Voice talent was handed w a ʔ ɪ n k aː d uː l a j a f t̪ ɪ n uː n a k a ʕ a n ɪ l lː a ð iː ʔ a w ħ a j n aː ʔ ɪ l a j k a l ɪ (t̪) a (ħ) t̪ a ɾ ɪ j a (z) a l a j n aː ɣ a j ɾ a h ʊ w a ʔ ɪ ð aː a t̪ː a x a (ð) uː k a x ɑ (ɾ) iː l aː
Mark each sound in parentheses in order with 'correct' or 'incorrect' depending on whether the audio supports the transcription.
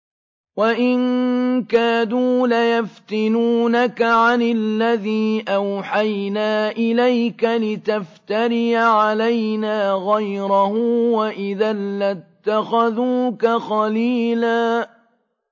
correct, incorrect: f, incorrect: ʕ, correct, incorrect: l

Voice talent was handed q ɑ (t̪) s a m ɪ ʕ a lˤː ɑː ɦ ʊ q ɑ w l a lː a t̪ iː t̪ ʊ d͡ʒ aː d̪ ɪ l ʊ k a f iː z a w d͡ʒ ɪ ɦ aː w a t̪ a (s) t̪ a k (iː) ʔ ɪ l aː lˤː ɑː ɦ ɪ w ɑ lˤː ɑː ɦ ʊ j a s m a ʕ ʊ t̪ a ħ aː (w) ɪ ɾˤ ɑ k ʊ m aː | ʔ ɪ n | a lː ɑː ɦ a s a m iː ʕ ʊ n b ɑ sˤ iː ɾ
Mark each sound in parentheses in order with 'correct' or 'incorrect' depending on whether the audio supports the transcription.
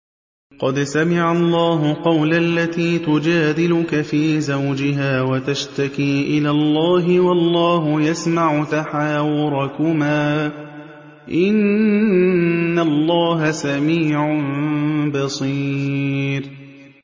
incorrect: d̪, incorrect: ʃ, correct, correct

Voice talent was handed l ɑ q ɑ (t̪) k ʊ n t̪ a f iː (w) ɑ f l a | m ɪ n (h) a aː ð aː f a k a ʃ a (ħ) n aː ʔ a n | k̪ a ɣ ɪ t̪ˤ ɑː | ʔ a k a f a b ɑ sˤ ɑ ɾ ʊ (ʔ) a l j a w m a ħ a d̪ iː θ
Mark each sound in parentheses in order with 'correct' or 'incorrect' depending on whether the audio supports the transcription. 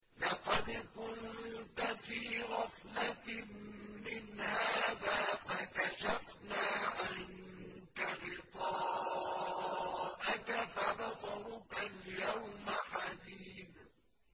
incorrect: d̪, incorrect: ɣ, correct, incorrect: f, incorrect: k

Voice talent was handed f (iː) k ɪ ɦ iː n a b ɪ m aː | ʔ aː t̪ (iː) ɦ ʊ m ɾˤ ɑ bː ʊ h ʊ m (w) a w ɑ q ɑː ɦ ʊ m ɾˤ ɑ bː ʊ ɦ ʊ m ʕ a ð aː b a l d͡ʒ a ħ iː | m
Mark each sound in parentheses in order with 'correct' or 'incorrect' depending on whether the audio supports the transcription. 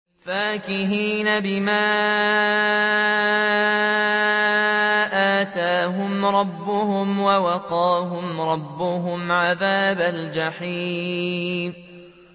incorrect: aː, incorrect: aː, correct

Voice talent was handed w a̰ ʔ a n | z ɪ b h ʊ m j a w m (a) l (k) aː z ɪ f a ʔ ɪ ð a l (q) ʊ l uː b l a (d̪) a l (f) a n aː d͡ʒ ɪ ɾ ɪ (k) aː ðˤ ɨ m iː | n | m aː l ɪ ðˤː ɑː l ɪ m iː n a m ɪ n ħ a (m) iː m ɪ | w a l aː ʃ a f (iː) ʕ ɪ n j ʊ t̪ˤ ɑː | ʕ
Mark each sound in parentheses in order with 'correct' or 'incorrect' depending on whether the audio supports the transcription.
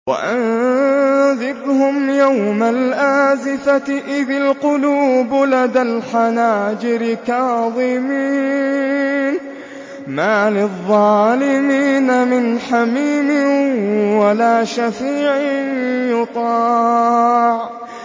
correct, incorrect: ʔ, correct, correct, incorrect: ħ, correct, correct, correct

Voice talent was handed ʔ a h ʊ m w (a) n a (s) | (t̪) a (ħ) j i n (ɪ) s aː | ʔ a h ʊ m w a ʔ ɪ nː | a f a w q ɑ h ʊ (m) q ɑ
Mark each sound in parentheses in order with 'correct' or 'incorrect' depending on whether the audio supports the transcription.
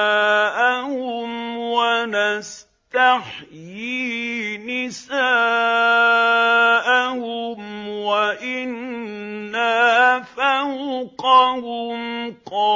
correct, correct, correct, correct, correct, correct

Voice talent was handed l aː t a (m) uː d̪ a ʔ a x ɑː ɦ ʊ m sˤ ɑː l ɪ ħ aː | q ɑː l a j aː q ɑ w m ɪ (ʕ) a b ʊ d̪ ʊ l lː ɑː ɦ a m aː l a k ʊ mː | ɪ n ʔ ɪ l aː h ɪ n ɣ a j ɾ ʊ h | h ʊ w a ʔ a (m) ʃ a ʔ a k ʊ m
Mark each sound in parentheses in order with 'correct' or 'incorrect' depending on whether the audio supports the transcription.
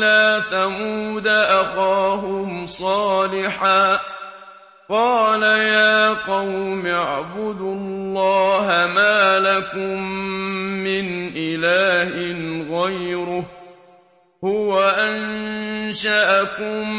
correct, correct, incorrect: n

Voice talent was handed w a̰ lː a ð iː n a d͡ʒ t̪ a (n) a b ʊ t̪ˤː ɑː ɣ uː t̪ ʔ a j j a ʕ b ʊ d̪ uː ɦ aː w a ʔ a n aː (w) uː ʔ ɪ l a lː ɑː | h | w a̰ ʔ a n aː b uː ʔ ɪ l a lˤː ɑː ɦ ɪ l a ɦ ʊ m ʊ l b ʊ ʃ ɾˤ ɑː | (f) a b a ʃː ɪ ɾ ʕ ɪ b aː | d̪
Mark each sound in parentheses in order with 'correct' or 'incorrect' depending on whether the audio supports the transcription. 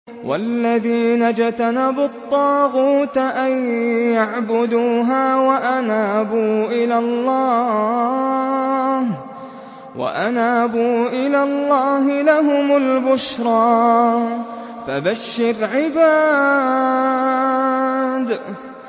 correct, incorrect: b, correct

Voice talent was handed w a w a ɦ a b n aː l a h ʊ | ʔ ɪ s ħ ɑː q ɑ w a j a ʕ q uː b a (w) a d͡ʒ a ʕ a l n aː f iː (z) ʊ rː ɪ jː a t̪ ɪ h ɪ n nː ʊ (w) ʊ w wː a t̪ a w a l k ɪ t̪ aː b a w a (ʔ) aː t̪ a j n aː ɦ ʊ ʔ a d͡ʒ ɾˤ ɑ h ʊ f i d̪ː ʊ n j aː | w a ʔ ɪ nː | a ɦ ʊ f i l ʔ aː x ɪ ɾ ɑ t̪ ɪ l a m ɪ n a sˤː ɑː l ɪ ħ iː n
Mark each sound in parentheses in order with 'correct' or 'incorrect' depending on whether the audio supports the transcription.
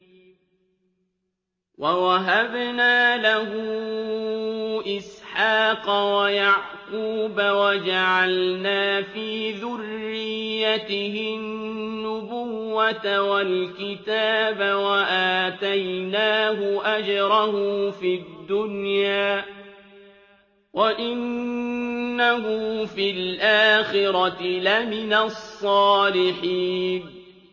correct, incorrect: ð, incorrect: b, correct

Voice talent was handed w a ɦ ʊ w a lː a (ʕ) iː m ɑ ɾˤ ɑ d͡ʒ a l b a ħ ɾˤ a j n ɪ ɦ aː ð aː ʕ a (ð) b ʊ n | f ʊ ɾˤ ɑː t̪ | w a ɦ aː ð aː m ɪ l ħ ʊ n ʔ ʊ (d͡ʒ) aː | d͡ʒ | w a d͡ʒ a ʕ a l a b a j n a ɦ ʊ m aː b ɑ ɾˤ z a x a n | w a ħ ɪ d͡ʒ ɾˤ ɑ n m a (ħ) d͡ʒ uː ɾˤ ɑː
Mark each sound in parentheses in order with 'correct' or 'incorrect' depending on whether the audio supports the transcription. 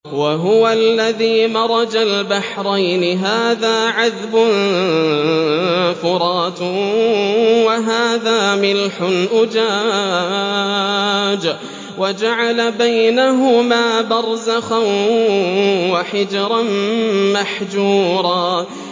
incorrect: ð, correct, correct, correct

